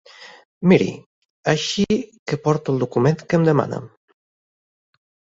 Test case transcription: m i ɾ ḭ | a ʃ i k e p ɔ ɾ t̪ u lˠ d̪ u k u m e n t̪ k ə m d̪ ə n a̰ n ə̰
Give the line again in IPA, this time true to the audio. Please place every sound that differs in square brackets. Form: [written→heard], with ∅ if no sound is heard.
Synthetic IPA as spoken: m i ɾ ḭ | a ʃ i k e p ɔ ɾ t̪ u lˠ d̪ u k u m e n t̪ k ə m d̪ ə [n→m] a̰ n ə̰